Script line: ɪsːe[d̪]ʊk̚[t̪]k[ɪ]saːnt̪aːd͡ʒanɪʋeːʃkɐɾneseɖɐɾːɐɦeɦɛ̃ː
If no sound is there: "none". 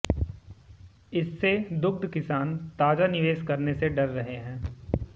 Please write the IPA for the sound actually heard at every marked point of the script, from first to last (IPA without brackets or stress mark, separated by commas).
d̪, d̪, ɪ